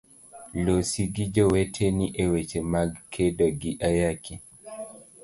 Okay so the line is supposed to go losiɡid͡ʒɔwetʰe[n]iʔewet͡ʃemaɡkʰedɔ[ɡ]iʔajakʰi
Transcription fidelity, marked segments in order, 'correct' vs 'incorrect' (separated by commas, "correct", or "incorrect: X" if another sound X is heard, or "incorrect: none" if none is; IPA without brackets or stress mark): correct, correct